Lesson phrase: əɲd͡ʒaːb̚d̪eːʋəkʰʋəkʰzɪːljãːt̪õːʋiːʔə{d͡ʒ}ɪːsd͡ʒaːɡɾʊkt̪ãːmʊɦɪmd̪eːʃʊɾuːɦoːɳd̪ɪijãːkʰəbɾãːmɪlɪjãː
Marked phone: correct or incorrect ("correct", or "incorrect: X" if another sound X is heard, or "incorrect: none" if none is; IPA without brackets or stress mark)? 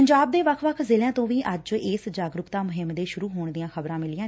correct